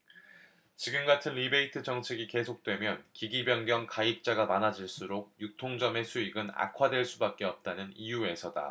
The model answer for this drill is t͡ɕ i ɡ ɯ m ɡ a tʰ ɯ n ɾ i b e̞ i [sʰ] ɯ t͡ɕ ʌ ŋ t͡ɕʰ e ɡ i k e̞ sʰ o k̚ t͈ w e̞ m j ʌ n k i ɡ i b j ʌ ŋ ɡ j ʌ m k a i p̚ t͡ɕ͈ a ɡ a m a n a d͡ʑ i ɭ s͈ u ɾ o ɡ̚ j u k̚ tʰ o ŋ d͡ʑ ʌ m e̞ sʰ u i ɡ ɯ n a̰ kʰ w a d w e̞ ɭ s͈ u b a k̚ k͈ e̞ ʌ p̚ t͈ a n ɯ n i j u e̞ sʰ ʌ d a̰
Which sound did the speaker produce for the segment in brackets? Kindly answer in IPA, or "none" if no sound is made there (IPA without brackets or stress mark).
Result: tʰ